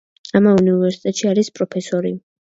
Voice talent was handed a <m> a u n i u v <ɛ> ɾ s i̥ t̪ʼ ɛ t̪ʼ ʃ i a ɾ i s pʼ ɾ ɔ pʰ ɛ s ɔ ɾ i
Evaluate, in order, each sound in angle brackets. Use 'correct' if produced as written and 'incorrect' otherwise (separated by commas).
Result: correct, correct